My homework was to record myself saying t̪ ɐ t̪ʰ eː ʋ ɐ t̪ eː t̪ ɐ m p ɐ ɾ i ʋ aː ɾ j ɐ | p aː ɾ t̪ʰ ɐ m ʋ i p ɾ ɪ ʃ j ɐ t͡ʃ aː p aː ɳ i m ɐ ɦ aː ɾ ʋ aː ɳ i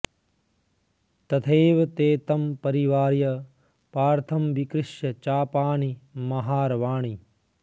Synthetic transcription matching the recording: t̪ ɐ t̪ʰ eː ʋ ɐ t̪ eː t̪ ɐ m p ɐ ɾ i ʋ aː ɾ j ɐ | p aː ɾ t̪ʰ ɐ m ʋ i k ɾ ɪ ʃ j ɐ t͡ʃ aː p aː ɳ i m ɐ ɦ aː ɾ ʋ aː ɳ i

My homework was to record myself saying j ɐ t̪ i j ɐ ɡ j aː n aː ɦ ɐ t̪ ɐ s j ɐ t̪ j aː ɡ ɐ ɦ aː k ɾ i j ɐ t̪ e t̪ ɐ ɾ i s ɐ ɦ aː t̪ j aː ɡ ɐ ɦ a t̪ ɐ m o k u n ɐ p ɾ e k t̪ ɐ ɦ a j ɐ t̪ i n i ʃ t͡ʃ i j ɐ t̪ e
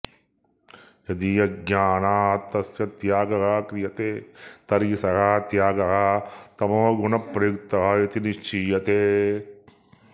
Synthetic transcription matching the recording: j ɐ d̪ i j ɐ ɡ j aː n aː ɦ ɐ t̪ ɐ s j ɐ t̪ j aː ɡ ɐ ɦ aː k ɾ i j ɐ t̪ e t̪ ɐ ɾ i s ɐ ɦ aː t̪ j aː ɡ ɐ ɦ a t̪ ɐ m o ɡ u n ɐ p ɾ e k t̪ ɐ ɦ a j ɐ t̪ i n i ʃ t͡ʃ i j ɐ t̪ e

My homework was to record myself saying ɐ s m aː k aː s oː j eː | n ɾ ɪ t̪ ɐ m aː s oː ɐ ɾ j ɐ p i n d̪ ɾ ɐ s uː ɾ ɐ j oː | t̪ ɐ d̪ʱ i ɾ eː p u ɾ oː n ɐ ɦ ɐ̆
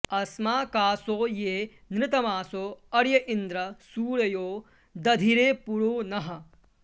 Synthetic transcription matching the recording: ɐ s m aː k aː s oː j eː | n ɾ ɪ t̪ ɐ m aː s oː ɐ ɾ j ɐ ʔ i n d̪ ɾ ɐ s uː ɾ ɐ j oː | d̪ ɐ d̪ʱ i ɾ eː p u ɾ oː n ɐ ɦ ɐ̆

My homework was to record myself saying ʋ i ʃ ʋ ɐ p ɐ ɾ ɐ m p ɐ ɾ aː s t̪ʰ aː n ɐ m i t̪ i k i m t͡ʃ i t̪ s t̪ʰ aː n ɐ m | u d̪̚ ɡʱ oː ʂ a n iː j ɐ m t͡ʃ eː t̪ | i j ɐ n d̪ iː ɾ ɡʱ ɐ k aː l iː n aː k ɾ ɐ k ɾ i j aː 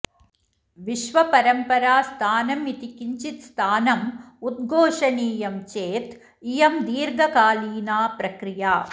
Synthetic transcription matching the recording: ʋ i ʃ ʋ ɐ p ɐ ɾ ɐ m p ɐ ɾ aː s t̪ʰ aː n ɐ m i t̪ i k i ɲ t͡ʃ i t̪ s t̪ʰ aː n ɐ m | u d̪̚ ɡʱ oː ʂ ɐ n iː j ɐ m t͡ʃ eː t̪ | i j ɐ m d̪ iː ɾ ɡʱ ɐ k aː l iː n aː p ɾ ɐ k ɾ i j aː

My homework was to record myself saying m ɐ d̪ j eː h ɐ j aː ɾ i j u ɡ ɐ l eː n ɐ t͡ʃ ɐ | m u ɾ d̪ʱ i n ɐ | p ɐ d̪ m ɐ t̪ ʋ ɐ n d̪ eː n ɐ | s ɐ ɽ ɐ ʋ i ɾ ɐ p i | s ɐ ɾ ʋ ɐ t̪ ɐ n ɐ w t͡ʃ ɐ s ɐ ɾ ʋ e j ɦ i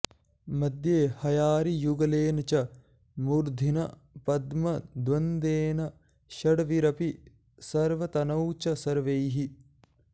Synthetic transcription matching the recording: m ɐ d̪ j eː h ɐ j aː ɾ i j u ɡ ɐ l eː n ɐ t͡ʃ ɐ | m u ɾ d̪ʱ i n ɐ | p ɐ d̪ m ɐ d̪ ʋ ɐ n d̪ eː n ɐ | ʃ ɐ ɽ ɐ ʋ i ɾ ɐ p i | s ɐ ɾ ʋ ɐ t̪ ɐ n ɐ w t͡ʃ ɐ s ɐ ɾ ʋ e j ɦ i

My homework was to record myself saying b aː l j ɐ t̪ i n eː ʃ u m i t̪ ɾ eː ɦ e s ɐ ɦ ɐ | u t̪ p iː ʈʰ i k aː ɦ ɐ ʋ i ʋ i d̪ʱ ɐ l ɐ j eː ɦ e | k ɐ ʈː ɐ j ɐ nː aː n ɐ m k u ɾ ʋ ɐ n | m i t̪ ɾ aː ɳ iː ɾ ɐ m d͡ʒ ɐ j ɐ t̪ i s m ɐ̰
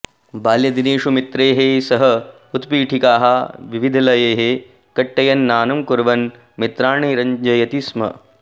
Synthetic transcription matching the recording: b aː l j ɐ d̪ i n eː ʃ u m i t̪ ɾ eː ɦ e s ɐ ɦ ɐ | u t̪ p iː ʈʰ i k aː ɦ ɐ ʋ i ʋ i d̪ʱ ɐ l ɐ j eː ɦ e | k ɐ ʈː ɐ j ɐ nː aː n ɐ m k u ɾ ʋ ɐ n | m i t̪ ɾ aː ɳ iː ɾ ɐ ɲ d͡ʒ ɐ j ɐ t̪ i s m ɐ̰

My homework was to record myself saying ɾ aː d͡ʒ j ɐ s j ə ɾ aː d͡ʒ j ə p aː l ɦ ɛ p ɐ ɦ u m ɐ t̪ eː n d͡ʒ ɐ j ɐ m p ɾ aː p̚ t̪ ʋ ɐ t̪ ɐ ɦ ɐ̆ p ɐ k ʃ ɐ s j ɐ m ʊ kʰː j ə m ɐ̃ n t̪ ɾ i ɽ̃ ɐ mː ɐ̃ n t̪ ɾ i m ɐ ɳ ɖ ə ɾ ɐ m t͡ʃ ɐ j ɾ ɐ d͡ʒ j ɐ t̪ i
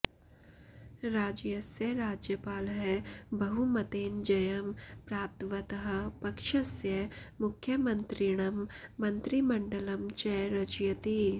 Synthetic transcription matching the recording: ɾ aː d͡ʒ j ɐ s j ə ɾ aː d͡ʒ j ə p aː l ɦ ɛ b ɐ ɦ u m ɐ t̪ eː n d͡ʒ ɐ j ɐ m p ɾ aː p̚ t̪ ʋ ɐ t̪ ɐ ɦ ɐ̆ p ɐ k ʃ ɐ s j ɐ m ʊ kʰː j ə m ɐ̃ n t̪ ɾ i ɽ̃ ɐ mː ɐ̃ n t̪ ɾ i m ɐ ɳ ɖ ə l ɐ m t͡ʃ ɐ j ɾ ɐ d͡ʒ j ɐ t̪ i

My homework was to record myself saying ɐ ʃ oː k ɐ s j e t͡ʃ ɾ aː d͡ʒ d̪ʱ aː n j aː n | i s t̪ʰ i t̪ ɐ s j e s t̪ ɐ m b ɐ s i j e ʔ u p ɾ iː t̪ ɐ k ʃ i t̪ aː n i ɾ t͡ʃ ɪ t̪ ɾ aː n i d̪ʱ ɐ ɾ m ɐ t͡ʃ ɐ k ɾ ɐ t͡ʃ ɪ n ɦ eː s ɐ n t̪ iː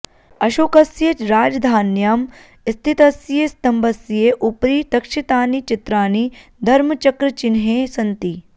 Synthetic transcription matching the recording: ɐ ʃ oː k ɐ s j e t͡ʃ ɾ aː d͡ʒ d̪ʱ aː n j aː m | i s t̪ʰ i t̪ ɐ s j e s t̪ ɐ m b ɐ s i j e ʔ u p ɾ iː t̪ ɐ k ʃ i t̪ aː n i t͡ʃ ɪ t̪ ɾ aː n i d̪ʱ ɐ ɾ m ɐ t͡ʃ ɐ k ɾ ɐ t͡ʃ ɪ n ɦ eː s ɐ n t̪ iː

